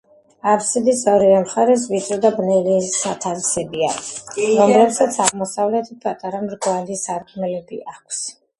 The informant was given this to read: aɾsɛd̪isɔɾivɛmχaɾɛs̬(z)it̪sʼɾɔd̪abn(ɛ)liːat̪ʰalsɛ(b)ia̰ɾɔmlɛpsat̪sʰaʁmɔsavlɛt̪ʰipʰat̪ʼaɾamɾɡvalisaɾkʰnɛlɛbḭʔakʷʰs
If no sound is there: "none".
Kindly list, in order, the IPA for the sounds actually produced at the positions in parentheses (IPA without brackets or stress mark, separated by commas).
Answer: v, ɛ, b